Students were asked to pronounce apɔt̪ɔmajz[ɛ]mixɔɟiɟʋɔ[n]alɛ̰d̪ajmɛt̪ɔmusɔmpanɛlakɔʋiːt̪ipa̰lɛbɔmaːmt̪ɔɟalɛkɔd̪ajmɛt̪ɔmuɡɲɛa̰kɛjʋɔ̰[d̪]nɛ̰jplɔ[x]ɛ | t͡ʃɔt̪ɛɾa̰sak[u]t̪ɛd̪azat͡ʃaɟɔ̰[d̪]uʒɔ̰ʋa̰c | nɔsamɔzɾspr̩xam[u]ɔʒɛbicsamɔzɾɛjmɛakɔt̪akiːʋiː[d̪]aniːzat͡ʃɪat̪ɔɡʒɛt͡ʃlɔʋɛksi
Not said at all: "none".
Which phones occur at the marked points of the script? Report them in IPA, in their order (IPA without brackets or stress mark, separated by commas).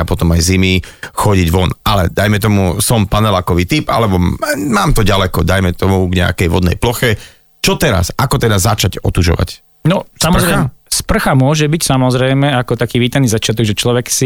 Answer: i, n, d̪, x, ɔ, t̪, ʊ, t̪